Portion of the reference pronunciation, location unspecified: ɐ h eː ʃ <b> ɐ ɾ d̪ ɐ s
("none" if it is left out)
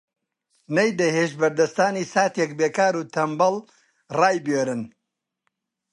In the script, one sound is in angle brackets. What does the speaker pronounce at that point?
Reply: b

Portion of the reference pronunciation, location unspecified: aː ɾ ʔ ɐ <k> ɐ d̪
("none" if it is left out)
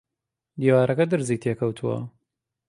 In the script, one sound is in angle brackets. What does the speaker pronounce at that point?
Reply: k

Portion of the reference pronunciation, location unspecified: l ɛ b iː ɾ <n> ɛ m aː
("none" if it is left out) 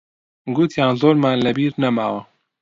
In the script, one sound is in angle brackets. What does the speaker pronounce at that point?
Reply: n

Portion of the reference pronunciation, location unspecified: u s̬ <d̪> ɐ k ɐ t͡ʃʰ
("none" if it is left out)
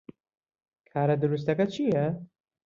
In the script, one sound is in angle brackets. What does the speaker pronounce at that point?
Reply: t̪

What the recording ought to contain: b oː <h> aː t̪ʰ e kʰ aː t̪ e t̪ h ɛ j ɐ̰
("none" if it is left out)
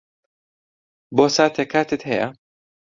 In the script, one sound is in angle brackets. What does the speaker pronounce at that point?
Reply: s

